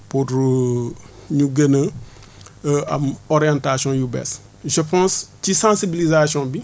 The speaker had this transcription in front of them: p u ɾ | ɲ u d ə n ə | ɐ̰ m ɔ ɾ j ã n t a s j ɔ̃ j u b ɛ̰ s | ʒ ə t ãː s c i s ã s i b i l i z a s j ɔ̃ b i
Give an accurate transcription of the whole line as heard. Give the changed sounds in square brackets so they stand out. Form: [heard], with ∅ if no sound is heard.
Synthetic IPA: p u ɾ | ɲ u [ɡ] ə n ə | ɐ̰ m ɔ ɾ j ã n t a s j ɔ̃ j u b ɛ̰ s | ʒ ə [p] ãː s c i s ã s i b i l i z a s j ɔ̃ b i